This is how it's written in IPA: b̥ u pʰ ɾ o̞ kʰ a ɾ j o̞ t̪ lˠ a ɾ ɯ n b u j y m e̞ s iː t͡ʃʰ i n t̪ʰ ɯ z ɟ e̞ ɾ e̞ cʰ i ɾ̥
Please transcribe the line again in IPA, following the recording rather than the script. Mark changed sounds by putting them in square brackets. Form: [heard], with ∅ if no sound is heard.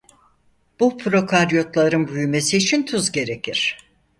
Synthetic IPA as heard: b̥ u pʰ ɾ o̞ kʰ a ɾ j o̞ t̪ lˠ a ɾ ɯ n b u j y m e̞ s iː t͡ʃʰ i n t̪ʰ [u] z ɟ e̞ ɾ e̞ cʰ i ɾ̥